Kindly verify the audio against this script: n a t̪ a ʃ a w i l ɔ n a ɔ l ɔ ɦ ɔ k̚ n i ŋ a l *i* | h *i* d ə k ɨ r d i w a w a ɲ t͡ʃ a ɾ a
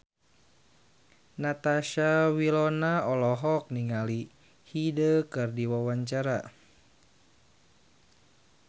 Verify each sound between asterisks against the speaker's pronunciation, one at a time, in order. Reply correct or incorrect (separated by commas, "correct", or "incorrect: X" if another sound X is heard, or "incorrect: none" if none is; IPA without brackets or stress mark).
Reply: correct, correct